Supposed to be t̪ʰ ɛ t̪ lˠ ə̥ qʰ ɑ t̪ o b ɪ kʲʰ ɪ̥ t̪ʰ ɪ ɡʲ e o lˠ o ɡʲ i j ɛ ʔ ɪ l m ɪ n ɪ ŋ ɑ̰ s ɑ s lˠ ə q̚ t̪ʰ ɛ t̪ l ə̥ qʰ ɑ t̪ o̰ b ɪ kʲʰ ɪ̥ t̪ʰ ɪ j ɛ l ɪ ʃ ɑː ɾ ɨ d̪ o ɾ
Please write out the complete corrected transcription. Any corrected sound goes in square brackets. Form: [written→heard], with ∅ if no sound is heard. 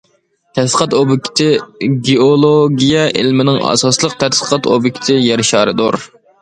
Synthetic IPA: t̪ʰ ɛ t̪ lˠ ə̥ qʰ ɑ t̪ o b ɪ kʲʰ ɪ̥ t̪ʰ ɪ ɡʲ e o lˠ o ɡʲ i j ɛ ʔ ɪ l m ɪ n ɪ ŋ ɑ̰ s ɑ s lˠ ə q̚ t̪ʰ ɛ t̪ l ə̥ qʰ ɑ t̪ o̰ b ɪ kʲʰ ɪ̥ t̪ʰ ɪ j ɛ [l→ɾ] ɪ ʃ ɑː ɾ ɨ d̪ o ɾ